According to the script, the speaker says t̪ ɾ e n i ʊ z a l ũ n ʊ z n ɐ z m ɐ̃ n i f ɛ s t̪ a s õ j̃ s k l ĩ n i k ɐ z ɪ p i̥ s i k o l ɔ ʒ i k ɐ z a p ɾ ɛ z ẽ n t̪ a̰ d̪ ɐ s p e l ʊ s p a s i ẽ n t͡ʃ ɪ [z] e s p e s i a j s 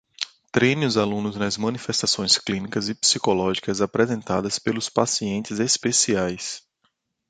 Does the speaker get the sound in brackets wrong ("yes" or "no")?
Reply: no